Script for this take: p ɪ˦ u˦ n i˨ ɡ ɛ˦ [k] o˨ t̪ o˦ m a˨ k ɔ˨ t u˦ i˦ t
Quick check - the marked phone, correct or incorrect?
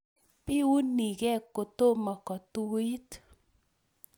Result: correct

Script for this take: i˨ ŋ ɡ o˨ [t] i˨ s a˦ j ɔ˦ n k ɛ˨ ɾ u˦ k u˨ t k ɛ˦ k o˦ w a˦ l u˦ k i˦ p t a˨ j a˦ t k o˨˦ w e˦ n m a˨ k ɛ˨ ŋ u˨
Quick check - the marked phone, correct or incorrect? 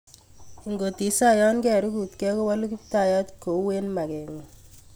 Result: correct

